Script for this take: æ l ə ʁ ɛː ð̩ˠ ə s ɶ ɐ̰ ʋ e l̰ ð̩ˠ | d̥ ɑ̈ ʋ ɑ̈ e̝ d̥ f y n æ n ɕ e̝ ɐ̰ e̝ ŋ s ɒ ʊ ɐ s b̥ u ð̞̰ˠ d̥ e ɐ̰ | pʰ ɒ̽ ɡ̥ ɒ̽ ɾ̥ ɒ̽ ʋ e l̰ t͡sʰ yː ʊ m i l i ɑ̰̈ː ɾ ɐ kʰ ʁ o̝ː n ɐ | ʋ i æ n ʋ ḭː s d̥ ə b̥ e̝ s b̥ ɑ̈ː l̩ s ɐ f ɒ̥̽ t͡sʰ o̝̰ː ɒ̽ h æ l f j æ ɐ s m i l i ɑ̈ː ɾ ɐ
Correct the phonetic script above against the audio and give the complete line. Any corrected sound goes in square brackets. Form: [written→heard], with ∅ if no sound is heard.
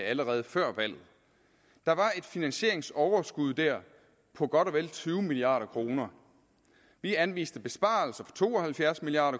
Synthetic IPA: æ l ə ʁ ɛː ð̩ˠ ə [s→f] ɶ ɐ̰ ʋ [e→æ] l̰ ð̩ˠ | d̥ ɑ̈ ʋ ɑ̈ e̝ d̥ f [y→i] n æ n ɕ e̝ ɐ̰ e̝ ŋ s ɒ ʊ ɐ s [b̥→ɡ̥] u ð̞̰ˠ d̥ [e→æ] ɐ̰ | pʰ ɒ̽ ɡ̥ ɒ̽ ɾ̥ ɒ̽ ʋ e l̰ t͡sʰ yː ʊ m i l i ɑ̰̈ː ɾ ɐ kʰ ʁ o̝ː n ɐ | ʋ i æ n ʋ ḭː s d̥ ə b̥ e̝ s b̥ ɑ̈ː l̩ s ɐ f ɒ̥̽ t͡sʰ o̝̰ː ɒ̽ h æ l f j æ ɐ s m i l i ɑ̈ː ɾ ɐ